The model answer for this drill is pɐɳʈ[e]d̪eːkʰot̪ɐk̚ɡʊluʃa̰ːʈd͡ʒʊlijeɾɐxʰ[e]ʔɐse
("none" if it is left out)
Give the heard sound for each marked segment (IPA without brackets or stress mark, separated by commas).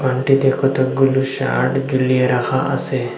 i, a